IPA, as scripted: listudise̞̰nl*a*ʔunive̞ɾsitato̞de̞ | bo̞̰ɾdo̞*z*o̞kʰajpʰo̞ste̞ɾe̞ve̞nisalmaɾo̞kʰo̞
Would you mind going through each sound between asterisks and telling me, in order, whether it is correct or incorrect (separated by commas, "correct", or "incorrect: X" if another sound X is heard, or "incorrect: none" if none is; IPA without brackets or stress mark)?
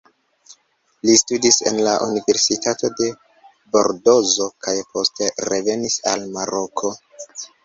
correct, correct